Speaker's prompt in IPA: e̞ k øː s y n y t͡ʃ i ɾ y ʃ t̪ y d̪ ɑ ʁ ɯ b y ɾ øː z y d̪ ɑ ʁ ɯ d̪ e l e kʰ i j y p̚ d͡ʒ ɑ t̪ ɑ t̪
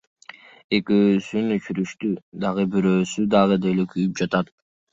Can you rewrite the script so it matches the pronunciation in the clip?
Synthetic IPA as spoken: e̞ k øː s y n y t͡ʃ y ɾ y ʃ t̪ y d̪ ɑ ʁ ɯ b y ɾ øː s y d̪ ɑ ʁ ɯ d̪ e l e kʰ y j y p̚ d͡ʒ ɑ t̪ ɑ t̪